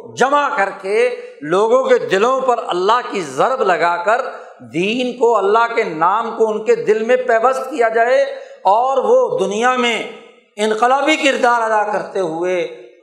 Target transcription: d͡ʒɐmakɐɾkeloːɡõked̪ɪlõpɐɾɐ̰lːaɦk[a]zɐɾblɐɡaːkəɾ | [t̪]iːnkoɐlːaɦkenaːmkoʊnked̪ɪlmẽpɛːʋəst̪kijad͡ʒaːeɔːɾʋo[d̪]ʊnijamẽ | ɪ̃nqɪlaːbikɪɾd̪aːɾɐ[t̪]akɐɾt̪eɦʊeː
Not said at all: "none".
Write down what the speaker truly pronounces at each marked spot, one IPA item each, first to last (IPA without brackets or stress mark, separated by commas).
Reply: i, d̪, d̪, d̪